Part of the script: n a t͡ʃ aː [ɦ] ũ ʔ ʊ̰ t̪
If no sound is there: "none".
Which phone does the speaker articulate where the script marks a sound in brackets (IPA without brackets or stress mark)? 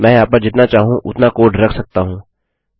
ɦ